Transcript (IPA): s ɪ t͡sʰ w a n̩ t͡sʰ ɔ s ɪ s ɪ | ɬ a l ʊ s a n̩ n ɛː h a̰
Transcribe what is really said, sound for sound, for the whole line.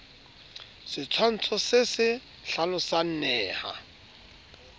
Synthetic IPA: s ɪ t͡sʰ w a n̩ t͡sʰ ɔ s ɪ s ɪ | ɬ a l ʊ s a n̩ n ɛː h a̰